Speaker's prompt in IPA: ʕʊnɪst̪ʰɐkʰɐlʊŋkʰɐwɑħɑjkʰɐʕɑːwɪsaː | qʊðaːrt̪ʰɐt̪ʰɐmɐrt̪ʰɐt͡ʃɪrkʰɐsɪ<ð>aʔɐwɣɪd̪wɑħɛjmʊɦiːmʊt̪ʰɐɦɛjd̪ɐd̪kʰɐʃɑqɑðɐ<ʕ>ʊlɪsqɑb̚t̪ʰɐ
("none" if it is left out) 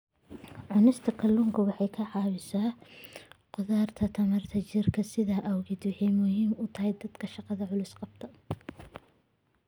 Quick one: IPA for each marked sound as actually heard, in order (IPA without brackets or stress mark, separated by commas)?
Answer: ð, ʕ